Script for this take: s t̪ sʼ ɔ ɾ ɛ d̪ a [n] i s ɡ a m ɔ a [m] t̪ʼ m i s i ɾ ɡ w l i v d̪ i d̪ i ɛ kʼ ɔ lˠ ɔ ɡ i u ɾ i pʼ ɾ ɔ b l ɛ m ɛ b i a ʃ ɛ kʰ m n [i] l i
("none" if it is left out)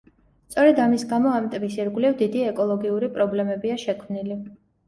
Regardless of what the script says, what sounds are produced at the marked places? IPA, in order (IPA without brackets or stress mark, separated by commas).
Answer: m, m, i